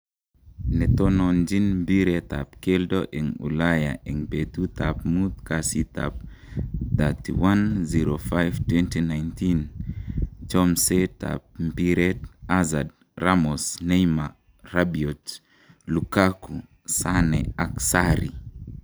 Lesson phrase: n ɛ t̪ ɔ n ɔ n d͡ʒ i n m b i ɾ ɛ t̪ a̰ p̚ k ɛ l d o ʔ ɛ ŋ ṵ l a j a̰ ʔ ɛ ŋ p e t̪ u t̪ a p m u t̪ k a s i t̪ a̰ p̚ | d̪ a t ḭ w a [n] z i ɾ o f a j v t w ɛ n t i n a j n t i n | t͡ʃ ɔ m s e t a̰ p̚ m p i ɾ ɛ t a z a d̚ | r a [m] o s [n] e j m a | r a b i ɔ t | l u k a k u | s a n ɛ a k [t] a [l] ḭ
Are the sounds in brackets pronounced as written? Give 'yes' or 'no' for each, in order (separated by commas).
yes, yes, yes, no, no